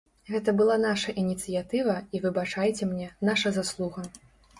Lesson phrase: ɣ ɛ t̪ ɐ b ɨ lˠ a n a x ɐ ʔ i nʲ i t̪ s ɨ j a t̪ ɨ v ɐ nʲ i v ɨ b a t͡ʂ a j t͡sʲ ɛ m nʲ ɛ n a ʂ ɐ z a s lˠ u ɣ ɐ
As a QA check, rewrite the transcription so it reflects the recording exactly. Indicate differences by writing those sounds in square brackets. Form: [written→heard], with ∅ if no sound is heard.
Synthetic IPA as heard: ɣ ɛ t̪ ɐ b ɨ lˠ a n a [x→ʂ] ɐ ʔ i nʲ i t̪ s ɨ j a t̪ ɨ v ɐ [nʲ→∅] i v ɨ b a t͡ʂ a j t͡sʲ ɛ m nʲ ɛ n a ʂ ɐ z a s lˠ u ɣ ɐ